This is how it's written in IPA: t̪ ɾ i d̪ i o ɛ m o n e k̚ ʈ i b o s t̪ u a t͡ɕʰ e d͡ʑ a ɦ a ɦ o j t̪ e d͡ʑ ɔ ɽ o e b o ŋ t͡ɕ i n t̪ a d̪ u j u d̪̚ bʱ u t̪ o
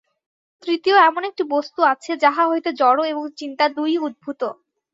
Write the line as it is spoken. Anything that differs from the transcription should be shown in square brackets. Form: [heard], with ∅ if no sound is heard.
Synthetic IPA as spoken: t̪ ɾ i [t̪] i o ɛ m o n e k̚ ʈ i b o s t̪ u a t͡ɕʰ e d͡ʑ a ɦ a ɦ o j t̪ e d͡ʑ ɔ ɽ o e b o ŋ t͡ɕ i n t̪ a d̪ u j u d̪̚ bʱ u t̪ o

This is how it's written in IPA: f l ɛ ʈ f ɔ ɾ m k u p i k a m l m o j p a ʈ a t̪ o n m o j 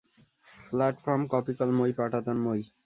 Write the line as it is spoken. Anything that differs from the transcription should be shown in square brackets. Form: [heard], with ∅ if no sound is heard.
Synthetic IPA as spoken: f l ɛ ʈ f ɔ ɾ m k [ɔ] p i k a [∅] l m o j p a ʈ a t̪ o n m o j

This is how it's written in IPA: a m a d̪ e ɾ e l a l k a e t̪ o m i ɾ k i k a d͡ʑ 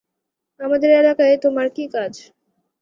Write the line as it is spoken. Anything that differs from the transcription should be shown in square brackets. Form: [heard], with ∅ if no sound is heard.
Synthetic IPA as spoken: a m a d̪ e ɾ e l a [∅] k a e t̪ o m [a] ɾ k i k a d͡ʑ

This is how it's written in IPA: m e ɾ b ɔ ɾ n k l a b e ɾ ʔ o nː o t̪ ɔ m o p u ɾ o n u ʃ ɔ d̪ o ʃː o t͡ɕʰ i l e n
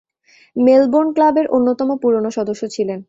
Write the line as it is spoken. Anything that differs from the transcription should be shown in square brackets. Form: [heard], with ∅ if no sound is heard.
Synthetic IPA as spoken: m e [l] b [o] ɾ n k l a b e ɾ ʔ o nː o t̪ ɔ m o p u ɾ o n [o] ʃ ɔ d̪ o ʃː o t͡ɕʰ i l e n

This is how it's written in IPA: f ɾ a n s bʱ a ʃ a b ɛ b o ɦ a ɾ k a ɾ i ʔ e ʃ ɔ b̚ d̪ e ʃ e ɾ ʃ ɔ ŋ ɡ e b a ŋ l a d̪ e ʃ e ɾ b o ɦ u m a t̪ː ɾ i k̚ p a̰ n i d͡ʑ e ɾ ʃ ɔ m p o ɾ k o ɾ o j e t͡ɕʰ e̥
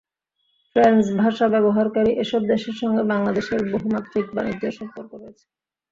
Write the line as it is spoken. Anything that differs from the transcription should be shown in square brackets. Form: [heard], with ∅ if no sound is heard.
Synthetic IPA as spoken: f ɾ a n s bʱ a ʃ a b ɛ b o ɦ a ɾ k a ɾ i ʔ e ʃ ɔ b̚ d̪ e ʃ e ɾ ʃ ɔ ŋ ɡ e b a ŋ l a d̪ e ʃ e ɾ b o ɦ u m a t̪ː ɾ i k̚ [b] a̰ n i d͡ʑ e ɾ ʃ ɔ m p o ɾ k o ɾ o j e t͡ɕʰ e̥

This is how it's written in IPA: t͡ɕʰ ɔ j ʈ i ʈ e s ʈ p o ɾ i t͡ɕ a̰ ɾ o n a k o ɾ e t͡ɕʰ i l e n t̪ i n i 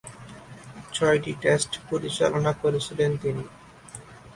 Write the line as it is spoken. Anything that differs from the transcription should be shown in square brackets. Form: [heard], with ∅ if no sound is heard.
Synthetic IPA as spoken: t͡ɕʰ ɔ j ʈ i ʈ e s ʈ p o ɾ i t͡ɕ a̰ [l] o n a k o ɾ e t͡ɕʰ i l e n t̪ i n i

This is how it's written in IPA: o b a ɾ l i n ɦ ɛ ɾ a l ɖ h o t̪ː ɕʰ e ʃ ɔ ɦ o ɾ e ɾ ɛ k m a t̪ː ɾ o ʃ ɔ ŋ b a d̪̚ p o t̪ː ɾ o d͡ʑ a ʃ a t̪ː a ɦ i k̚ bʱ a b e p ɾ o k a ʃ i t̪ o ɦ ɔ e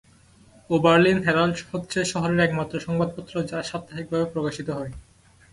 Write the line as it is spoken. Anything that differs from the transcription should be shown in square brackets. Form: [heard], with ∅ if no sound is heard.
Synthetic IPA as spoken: o b a ɾ l i n ɦ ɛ ɾ a l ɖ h o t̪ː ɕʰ e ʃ ɔ ɦ o ɾ e ɾ ɛ k m a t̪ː ɾ o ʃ ɔ ŋ b a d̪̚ p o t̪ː ɾ o d͡ʑ a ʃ a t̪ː a ɦ i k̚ bʱ a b e p ɾ o k a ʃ i t̪ o ɦ ɔ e

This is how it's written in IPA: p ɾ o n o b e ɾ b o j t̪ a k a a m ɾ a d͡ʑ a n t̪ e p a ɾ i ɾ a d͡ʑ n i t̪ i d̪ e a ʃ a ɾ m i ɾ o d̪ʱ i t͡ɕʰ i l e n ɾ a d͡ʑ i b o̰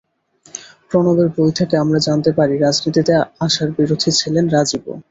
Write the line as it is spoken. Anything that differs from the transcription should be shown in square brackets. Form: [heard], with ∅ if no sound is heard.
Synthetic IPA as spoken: p ɾ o n o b e ɾ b o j [t̪ʰ] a k [e] a m ɾ a d͡ʑ a n t̪ e p a ɾ i ɾ a d͡ʑ n i t̪ i [t̪] e a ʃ a ɾ [b] i ɾ o d̪ʱ i t͡ɕʰ i l e n ɾ a d͡ʑ i b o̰

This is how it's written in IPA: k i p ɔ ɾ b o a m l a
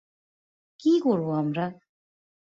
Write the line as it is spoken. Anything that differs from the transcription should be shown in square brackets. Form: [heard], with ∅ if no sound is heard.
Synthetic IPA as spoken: k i [k] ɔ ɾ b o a m [ɾ] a

